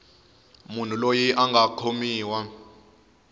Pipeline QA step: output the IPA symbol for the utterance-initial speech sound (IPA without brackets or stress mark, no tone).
m